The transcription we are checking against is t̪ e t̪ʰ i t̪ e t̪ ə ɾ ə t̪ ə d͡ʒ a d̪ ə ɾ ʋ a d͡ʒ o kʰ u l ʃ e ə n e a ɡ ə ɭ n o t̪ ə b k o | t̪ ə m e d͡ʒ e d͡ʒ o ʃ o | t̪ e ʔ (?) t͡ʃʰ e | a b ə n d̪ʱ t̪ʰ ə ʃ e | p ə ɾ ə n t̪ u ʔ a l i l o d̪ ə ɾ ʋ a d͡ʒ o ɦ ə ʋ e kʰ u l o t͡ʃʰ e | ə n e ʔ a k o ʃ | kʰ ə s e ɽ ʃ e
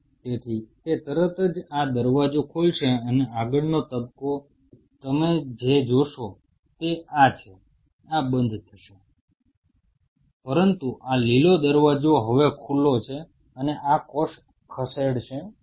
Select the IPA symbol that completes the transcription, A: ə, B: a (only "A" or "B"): B